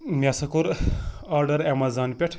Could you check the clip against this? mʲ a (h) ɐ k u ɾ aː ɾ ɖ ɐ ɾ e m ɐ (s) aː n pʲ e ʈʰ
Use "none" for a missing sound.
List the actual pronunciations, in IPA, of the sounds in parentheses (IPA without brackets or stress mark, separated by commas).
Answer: s, z